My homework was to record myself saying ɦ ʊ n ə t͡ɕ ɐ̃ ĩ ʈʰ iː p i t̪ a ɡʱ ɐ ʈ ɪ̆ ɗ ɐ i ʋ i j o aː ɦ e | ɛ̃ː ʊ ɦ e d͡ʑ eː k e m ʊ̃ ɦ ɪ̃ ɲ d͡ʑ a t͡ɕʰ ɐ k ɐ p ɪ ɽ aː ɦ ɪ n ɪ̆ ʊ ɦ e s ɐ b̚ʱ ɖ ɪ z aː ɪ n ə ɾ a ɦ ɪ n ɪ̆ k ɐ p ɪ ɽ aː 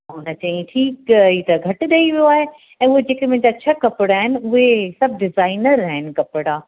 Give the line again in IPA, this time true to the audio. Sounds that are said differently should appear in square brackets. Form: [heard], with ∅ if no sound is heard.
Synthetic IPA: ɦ ʊ n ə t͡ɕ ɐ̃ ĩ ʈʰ iː [k] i t̪ [ɐ] ɡʱ ɐ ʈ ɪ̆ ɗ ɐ i ʋ i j o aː ɦ e | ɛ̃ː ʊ ɦ e d͡ʑ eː k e m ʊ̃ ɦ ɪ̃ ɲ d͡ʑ a t͡ɕʰ ɐ k ɐ p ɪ ɽ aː ɦ ɪ n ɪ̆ ʊ ɦ e s ɐ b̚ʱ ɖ ɪ z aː ɪ n ə ɾ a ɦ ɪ n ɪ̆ k ɐ p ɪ ɽ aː